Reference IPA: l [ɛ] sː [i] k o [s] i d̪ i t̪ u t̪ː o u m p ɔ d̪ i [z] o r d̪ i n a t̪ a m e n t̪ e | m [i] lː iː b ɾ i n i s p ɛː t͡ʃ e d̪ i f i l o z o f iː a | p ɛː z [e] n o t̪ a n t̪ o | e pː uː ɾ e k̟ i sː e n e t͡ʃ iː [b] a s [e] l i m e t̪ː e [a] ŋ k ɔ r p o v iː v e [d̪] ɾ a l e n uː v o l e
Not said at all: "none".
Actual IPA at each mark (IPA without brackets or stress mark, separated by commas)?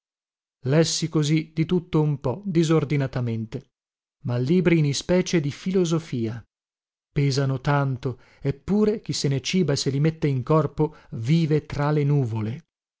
ɛ, i, z, z, a, a, b, e, i, t̪